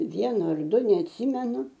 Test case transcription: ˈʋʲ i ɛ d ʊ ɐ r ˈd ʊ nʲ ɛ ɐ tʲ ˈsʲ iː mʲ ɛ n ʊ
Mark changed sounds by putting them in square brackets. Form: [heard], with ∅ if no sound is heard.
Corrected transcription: ˈʋʲ i ɛ [n] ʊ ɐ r ˈd ʊ nʲ ɛ ɐ tʲ ˈsʲ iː mʲ ɛ n ʊ